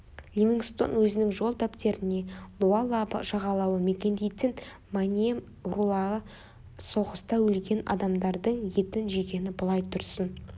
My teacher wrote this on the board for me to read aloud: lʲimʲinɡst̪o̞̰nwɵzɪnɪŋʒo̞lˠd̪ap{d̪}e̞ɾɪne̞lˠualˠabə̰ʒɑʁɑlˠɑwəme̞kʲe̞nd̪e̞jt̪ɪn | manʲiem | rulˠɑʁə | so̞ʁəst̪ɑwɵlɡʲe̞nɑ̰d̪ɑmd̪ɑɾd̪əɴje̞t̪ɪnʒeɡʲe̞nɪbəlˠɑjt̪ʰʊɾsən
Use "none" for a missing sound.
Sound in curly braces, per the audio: t̪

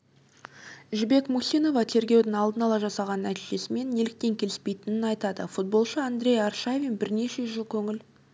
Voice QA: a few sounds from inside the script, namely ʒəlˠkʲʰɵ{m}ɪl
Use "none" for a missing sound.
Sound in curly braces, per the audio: ŋ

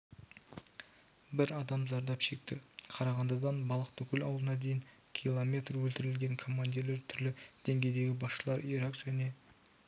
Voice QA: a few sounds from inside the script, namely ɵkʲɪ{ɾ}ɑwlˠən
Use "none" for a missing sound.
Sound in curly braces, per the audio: l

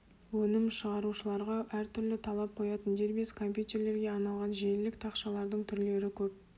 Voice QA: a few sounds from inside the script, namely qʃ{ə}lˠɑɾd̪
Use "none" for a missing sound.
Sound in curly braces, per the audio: ɑ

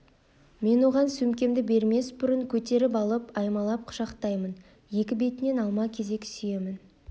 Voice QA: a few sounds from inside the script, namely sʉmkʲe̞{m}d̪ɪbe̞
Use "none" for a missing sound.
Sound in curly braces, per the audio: m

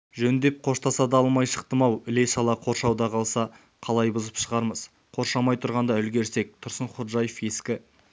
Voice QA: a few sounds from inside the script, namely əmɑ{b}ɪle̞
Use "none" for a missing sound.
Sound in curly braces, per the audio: w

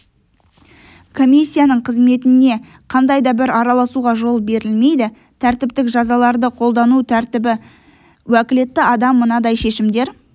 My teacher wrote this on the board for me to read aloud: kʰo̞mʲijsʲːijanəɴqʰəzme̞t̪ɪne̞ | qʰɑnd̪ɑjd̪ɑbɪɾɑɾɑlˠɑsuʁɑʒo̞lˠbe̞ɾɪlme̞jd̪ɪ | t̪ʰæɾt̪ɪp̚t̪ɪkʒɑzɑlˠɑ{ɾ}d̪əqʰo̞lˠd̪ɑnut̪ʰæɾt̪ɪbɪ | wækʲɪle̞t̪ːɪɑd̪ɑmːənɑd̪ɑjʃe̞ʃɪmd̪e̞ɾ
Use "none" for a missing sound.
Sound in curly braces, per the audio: ɾ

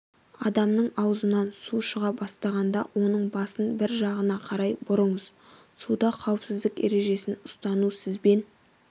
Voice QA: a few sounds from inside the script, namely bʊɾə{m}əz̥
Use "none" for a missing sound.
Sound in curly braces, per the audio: ɴ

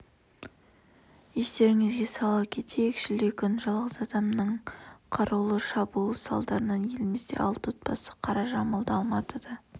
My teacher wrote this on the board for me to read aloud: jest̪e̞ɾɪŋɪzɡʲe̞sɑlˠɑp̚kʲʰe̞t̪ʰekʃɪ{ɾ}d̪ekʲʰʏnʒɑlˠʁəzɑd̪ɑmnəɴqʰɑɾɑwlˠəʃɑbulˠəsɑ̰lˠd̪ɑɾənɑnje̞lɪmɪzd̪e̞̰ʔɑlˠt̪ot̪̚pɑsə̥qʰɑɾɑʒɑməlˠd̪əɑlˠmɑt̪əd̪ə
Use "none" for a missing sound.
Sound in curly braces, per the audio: l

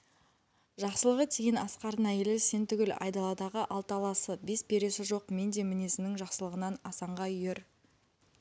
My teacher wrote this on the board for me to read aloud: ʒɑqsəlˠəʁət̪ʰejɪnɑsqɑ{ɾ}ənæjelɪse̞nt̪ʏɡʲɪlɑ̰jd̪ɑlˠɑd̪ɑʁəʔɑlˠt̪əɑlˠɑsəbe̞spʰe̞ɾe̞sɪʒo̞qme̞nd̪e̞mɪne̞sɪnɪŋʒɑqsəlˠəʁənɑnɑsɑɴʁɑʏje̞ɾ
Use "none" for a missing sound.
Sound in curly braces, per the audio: ɾ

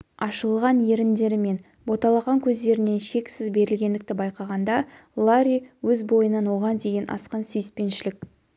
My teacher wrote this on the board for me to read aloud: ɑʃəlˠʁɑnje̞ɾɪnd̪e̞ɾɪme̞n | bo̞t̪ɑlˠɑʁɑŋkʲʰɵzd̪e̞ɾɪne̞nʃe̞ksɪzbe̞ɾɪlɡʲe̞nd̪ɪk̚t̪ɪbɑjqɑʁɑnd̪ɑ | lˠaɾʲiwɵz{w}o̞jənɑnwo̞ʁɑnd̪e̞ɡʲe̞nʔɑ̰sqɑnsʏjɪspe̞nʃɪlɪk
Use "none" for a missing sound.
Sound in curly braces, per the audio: b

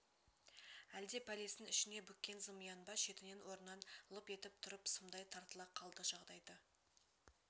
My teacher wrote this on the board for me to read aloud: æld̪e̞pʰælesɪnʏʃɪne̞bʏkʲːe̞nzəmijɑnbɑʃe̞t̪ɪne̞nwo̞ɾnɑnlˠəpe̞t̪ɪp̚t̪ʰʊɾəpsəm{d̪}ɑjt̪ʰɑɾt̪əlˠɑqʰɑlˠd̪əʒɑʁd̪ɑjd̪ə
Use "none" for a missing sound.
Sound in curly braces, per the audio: d̪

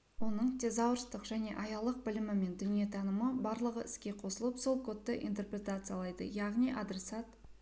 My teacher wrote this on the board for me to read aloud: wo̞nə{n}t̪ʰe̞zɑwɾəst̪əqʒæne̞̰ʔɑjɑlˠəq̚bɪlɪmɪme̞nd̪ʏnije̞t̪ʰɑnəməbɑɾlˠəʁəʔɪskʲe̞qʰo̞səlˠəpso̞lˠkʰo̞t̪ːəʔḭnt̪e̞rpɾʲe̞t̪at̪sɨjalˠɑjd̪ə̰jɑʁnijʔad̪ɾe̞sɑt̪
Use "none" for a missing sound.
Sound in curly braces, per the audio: ɴ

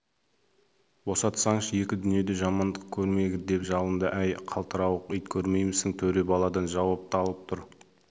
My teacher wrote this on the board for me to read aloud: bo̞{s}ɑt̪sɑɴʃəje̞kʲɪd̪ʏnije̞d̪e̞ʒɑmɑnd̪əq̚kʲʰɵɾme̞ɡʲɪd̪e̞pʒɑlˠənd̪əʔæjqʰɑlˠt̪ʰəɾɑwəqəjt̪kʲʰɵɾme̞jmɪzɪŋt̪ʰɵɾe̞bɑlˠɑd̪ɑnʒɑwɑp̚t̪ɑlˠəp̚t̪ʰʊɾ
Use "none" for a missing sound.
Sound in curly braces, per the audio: s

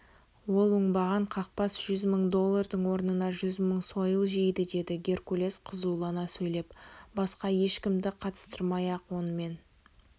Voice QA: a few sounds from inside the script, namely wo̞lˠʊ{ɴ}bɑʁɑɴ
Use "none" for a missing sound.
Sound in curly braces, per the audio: ɴ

